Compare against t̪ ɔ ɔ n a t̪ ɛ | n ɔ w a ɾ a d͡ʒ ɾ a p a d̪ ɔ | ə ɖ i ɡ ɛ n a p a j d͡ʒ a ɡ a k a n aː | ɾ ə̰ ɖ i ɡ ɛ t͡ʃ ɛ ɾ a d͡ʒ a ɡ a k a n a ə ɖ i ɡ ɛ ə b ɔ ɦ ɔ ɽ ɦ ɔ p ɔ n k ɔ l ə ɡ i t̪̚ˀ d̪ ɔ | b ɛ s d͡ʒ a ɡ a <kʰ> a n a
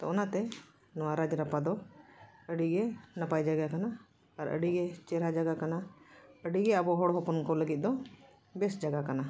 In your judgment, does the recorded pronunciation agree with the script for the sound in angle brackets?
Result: no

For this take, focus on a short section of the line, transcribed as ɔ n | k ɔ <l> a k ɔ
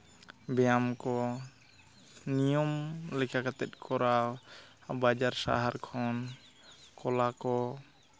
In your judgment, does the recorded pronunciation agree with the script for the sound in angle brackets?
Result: yes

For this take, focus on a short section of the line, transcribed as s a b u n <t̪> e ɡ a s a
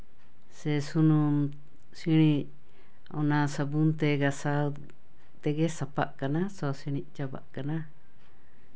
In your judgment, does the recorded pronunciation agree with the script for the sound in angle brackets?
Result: yes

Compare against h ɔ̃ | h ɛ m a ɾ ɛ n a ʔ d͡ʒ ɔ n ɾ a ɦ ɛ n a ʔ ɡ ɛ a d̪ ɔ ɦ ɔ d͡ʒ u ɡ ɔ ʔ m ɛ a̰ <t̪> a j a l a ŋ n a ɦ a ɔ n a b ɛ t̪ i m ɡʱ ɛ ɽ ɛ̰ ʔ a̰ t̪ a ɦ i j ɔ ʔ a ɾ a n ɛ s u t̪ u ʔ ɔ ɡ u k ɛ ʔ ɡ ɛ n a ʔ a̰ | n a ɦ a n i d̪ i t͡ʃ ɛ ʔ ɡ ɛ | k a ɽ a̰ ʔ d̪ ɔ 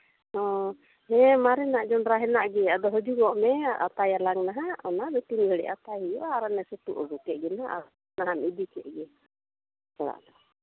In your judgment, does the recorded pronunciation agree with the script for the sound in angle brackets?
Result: yes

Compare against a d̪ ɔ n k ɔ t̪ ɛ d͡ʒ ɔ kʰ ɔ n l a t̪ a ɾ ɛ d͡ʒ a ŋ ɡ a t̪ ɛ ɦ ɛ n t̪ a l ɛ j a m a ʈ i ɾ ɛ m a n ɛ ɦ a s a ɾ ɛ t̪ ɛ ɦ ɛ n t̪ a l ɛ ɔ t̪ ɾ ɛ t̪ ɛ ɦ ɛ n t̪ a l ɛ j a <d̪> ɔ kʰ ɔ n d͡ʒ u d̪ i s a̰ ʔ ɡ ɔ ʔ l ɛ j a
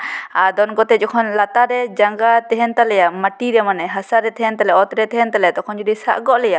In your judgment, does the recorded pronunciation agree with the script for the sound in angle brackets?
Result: no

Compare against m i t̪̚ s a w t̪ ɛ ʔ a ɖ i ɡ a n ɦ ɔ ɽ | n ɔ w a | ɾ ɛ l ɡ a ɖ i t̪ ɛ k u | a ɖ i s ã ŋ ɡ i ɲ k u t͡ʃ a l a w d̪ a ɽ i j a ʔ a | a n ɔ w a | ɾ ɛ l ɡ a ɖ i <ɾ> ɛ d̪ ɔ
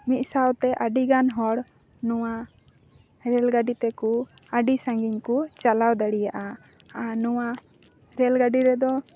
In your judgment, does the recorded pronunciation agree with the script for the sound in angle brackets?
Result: yes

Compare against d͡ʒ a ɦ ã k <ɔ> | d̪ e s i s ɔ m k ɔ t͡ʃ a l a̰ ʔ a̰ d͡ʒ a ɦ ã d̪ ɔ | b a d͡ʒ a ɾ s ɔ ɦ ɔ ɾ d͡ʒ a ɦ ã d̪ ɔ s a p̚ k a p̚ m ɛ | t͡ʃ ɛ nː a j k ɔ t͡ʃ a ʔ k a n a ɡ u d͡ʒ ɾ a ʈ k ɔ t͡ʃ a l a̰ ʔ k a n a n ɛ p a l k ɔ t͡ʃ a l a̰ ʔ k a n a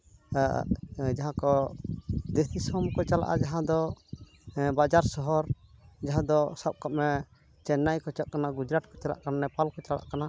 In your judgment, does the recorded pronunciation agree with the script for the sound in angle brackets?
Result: yes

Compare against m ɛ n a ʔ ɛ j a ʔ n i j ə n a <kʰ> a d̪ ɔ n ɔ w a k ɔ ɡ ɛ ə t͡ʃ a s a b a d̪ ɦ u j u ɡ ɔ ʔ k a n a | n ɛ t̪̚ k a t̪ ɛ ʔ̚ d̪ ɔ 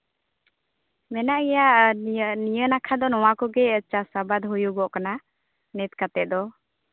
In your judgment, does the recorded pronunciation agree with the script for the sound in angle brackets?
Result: yes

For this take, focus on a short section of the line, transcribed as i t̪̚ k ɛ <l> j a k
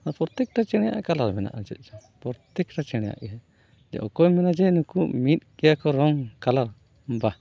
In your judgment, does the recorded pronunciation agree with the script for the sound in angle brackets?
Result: no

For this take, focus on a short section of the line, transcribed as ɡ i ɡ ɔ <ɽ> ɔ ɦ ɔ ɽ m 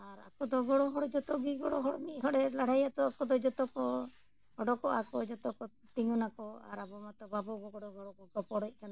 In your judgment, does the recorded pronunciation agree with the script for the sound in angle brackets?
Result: yes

